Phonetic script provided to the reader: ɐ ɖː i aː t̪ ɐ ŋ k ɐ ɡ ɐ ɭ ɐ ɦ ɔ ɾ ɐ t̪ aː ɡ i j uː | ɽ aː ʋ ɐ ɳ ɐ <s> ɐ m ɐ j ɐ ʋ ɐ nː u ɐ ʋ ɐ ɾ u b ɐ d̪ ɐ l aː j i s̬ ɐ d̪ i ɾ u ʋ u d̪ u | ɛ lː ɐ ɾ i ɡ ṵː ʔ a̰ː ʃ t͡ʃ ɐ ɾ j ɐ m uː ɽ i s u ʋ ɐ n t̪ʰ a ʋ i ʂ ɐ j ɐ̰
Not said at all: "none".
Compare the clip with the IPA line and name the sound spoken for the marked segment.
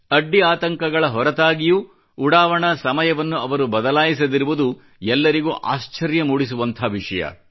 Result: s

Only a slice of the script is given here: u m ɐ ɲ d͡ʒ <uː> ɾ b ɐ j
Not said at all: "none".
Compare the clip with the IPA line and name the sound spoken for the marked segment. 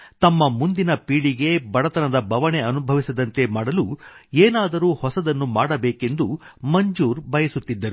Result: uː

